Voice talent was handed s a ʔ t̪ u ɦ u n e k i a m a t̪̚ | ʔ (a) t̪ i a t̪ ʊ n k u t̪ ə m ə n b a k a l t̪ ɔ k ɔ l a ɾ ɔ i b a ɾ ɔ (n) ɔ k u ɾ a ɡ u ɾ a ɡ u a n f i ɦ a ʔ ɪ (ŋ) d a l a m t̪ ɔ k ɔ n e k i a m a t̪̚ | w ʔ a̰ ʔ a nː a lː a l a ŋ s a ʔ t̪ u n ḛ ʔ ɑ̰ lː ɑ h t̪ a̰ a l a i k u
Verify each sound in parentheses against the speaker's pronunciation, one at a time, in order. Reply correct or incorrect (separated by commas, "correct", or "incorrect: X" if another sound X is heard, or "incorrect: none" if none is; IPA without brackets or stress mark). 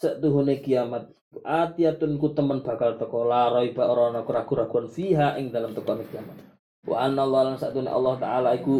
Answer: correct, correct, correct